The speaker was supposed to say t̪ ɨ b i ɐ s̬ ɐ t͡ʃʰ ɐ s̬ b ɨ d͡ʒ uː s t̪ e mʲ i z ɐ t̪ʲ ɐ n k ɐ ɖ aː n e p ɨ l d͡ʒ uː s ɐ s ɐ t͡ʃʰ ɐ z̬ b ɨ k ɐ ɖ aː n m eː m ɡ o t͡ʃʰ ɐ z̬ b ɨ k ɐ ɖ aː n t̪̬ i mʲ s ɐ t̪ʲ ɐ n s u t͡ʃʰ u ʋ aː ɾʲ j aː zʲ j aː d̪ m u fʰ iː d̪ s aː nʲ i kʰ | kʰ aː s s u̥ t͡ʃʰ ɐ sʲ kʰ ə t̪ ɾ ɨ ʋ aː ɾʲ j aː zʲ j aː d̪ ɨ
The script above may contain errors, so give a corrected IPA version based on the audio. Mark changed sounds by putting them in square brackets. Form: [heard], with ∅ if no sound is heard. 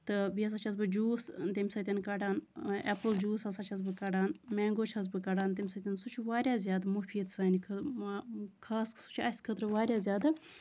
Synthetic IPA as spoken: t̪ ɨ b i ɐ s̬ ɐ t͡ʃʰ ɐ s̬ b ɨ d͡ʒ uː s t̪ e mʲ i [s] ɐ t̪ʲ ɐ n k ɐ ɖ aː n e p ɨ l d͡ʒ uː s ɐ s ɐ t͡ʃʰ ɐ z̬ b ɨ k ɐ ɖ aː n m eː [ŋ] ɡ o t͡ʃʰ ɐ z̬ b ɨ k ɐ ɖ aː n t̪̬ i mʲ s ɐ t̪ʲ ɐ n s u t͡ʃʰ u ʋ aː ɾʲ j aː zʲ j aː d̪ m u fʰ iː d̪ s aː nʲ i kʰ | kʰ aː s s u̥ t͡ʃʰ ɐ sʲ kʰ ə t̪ ɾ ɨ ʋ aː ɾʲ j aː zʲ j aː d̪ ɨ